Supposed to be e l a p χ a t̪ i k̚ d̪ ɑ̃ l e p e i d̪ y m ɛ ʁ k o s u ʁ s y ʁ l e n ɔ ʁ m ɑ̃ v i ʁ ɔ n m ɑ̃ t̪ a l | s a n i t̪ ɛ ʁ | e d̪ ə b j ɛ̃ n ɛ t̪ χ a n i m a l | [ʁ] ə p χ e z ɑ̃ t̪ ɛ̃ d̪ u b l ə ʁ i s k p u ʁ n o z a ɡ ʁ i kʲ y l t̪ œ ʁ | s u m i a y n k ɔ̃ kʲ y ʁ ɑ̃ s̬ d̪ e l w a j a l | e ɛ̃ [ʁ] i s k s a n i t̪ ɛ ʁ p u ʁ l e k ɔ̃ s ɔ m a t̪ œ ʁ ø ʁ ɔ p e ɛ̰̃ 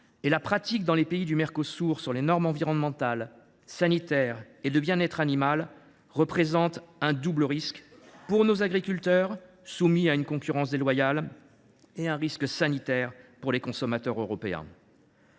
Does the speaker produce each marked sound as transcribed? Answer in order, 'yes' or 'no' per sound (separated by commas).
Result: yes, yes